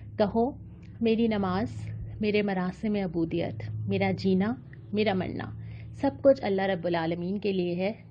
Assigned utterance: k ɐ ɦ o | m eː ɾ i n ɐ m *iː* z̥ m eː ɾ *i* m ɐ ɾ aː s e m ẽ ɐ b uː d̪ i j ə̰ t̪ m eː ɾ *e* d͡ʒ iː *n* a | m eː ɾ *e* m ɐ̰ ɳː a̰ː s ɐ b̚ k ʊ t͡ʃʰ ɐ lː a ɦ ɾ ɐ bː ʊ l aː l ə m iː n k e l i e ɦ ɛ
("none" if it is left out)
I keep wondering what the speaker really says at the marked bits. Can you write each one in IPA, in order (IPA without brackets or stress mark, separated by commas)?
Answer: aː, e, a, n, a